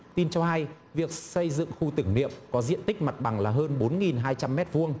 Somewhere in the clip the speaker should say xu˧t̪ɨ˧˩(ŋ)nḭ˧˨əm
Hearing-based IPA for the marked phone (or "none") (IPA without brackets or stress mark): ŋ